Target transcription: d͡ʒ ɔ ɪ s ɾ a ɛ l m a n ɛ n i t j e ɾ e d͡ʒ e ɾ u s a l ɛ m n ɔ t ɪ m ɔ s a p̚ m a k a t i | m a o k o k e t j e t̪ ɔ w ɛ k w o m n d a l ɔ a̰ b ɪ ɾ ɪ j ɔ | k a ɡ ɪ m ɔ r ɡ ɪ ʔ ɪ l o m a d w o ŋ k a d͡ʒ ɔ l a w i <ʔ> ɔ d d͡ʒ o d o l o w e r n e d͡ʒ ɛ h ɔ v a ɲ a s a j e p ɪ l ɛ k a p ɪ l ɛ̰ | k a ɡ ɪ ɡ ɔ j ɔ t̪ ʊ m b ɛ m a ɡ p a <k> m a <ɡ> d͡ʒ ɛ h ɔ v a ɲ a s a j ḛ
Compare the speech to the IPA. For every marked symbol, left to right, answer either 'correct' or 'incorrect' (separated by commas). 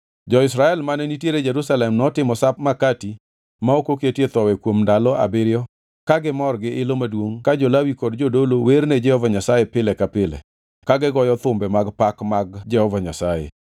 incorrect, correct, correct